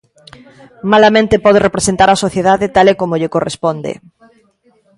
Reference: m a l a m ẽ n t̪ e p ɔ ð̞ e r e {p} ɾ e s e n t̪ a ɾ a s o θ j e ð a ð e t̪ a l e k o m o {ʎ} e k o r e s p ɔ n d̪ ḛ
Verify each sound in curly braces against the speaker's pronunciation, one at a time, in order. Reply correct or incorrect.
correct, correct

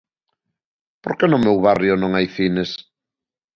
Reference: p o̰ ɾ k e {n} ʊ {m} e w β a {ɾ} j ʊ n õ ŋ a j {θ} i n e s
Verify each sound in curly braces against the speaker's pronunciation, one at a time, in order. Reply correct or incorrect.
correct, correct, incorrect: r, correct

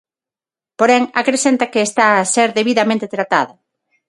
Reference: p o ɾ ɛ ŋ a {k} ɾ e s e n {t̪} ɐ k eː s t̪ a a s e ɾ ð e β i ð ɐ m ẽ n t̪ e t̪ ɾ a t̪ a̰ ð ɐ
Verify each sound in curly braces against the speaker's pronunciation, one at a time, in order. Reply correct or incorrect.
correct, correct

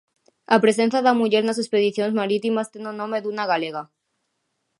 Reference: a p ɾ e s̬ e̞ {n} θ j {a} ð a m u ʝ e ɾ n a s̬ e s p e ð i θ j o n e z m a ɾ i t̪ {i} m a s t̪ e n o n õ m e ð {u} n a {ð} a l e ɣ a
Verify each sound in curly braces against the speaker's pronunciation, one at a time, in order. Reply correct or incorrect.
correct, correct, correct, correct, incorrect: ɣ

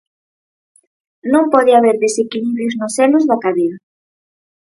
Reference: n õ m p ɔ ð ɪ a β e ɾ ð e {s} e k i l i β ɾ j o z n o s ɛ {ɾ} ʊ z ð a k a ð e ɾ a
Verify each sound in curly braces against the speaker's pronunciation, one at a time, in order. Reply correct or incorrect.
correct, incorrect: l

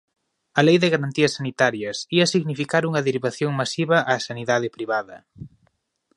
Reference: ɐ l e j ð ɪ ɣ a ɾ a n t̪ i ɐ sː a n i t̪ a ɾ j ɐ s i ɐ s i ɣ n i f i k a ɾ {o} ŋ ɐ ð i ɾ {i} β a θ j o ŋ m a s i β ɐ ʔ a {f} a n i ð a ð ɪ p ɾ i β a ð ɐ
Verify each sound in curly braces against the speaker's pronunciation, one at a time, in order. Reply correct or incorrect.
incorrect: u, correct, incorrect: s

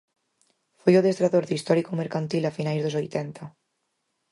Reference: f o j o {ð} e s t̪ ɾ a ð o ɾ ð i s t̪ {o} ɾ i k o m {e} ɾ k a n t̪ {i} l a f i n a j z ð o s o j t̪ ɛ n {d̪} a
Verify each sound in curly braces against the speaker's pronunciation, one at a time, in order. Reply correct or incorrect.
correct, incorrect: ɔ, correct, correct, incorrect: t̪

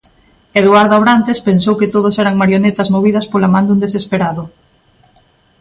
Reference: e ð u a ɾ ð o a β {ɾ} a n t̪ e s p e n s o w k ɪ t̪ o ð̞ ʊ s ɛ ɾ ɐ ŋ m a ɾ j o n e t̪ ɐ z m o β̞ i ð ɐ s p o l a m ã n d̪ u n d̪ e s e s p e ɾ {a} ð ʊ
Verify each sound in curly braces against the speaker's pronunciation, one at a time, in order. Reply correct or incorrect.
correct, correct

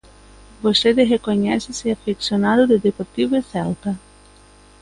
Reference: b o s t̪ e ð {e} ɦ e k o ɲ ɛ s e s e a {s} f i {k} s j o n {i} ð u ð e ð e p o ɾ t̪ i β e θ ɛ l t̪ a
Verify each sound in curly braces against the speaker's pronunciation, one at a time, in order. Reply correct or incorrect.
correct, incorrect: none, correct, incorrect: a

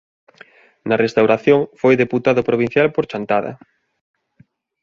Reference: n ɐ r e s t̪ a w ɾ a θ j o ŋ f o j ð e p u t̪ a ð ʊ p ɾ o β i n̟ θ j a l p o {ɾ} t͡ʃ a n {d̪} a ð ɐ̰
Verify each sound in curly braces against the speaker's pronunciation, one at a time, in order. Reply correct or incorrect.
correct, incorrect: t̪

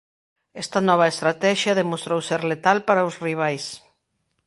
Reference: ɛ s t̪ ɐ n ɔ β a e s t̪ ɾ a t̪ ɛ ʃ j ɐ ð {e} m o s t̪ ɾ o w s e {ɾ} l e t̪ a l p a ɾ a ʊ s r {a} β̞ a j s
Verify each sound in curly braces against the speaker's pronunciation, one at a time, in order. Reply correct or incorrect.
correct, correct, incorrect: i

